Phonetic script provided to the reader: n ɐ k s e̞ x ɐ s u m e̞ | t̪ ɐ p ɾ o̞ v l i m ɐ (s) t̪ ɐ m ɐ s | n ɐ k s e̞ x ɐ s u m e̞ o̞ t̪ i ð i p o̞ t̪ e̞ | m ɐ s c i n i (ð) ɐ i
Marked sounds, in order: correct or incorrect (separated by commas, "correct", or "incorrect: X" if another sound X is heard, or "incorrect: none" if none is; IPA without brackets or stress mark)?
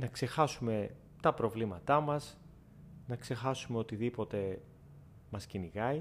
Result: incorrect: none, incorrect: ɣ